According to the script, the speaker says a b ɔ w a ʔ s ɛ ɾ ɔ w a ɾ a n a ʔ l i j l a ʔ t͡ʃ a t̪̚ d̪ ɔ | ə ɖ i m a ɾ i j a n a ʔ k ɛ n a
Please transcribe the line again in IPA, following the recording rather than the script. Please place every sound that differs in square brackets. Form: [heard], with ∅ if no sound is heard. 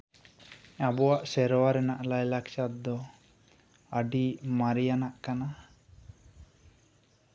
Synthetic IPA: a b ɔ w a ʔ s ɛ ɾ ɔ w a ɾ [ɛ] n a ʔ l [a] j l a [k] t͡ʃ a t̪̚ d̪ ɔ | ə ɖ i m a ɾ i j a n a ʔ k [a] n a